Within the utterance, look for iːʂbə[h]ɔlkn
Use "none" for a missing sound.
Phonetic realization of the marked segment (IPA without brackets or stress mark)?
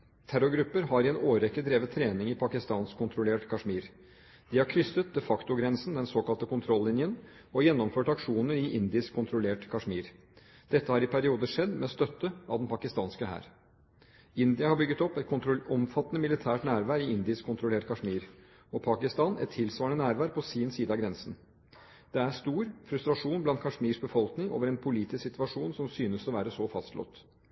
f